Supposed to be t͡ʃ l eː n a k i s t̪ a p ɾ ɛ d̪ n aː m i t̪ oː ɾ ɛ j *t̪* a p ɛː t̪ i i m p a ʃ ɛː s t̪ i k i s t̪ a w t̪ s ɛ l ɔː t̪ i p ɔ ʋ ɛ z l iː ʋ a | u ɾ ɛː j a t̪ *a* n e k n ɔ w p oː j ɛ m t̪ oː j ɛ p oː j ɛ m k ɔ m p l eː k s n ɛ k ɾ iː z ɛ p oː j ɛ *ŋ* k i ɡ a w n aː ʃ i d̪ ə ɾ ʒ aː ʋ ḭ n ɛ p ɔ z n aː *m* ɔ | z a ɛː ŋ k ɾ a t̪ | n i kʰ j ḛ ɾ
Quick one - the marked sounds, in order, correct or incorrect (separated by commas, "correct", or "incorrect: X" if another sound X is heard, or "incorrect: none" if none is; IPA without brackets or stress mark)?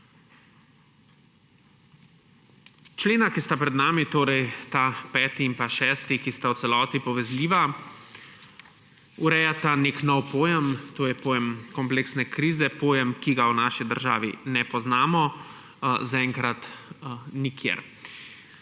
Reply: correct, correct, incorrect: m, correct